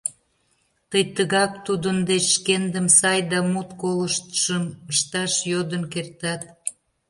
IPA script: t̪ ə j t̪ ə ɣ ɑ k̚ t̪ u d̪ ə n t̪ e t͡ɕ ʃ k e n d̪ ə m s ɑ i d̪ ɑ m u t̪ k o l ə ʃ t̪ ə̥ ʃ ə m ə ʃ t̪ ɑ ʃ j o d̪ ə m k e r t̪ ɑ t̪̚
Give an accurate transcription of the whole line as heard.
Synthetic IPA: t̪ ə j t̪ ə ɣ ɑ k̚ t̪ u d̪ ə n d̪ e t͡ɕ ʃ k e n d̪ ə m s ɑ j d̪ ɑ m u t̪ k o l ə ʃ t̪ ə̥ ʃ ə m ə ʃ t̪ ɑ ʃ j o d̪ ə n k e r t̪ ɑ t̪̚